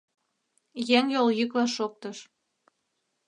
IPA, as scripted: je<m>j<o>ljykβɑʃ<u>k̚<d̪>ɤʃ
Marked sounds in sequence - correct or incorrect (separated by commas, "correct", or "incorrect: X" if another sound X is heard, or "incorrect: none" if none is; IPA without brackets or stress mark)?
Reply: incorrect: ŋ, correct, incorrect: o, incorrect: t̪